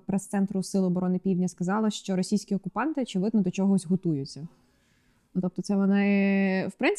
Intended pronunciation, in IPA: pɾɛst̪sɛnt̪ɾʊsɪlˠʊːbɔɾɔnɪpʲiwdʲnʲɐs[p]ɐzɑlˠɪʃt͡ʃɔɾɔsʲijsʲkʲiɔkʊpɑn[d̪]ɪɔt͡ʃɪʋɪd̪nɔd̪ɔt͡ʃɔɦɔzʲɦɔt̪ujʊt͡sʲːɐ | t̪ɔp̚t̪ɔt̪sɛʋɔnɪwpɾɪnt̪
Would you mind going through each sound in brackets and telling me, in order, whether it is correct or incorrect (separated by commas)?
incorrect, incorrect